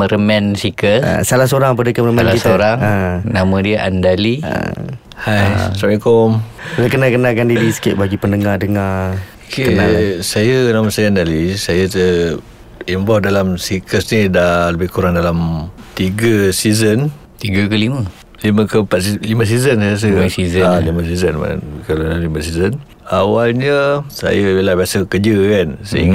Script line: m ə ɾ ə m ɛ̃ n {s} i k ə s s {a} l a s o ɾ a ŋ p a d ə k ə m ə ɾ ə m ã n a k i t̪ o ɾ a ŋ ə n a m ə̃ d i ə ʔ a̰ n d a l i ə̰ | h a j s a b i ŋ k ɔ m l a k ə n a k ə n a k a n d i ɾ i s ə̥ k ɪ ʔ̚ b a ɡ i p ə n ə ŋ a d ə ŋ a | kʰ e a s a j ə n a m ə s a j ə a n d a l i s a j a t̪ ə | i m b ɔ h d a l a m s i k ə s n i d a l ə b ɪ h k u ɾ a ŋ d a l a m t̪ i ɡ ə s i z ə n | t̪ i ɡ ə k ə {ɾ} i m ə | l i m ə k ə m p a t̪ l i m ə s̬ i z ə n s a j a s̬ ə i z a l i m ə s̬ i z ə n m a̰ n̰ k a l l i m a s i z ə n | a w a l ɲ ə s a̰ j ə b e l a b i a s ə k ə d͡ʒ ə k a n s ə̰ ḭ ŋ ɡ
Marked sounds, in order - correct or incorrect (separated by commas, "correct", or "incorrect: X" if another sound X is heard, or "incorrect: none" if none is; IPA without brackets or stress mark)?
correct, correct, incorrect: l